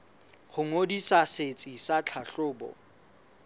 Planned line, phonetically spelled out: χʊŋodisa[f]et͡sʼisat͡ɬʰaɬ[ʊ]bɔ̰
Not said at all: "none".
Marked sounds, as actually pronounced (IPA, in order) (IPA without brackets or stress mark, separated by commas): s, ʊː